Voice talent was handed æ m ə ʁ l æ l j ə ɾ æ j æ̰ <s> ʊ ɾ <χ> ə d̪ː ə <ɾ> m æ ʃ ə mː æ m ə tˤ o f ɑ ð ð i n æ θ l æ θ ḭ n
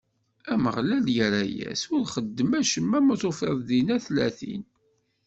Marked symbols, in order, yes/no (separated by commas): yes, yes, no